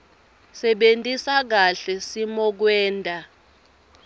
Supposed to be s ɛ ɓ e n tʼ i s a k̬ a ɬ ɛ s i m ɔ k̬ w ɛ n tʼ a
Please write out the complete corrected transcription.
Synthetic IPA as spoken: s ɛ ɓ e n tʼ i s a k̬ a ɬ ɛ s i m ɔ k̬ w ɛː n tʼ a